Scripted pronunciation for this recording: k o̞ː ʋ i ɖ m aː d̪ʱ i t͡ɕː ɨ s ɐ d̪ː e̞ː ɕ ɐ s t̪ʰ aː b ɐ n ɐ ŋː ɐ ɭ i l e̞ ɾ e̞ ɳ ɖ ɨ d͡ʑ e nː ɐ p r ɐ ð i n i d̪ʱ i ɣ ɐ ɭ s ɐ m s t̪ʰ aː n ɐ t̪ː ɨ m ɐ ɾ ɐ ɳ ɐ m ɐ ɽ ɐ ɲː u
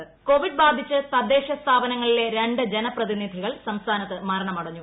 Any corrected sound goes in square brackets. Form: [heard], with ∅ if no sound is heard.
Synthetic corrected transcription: k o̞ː ʋ i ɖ [b] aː d̪ʱ i t͡ɕː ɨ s ɐ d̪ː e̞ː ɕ ɐ s t̪ʰ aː b ɐ n ɐ ŋː ɐ ɭ i l e̞ ɾ e̞ ɳ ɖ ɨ d͡ʑ e [n] ɐ p r ɐ ð i n i d̪ʱ i ɣ ɐ ɭ s ɐ m s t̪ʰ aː n ɐ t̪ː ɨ m ɐ ɾ ɐ ɳ ɐ m ɐ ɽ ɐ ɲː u